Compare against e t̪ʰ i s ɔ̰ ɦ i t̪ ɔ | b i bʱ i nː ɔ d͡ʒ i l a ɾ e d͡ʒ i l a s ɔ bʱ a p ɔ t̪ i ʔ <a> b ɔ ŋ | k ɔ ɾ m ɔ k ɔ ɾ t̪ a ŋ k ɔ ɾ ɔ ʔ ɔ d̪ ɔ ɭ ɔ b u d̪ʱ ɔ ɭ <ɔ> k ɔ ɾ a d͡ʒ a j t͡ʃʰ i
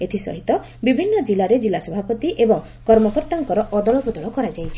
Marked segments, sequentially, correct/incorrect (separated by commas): incorrect, correct